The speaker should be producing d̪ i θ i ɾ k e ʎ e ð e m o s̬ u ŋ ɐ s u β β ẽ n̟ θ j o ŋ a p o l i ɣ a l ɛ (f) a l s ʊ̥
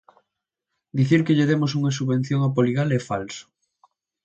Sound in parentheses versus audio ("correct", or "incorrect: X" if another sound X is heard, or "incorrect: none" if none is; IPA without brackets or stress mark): correct